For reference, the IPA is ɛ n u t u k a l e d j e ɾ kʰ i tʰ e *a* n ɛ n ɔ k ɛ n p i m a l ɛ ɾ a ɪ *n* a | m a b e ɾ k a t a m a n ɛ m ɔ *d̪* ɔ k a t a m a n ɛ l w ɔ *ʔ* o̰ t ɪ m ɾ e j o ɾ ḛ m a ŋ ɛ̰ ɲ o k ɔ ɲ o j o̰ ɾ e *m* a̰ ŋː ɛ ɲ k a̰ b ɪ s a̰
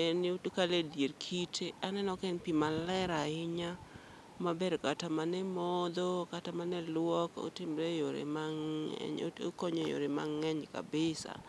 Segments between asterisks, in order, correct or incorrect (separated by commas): correct, incorrect, correct, incorrect, correct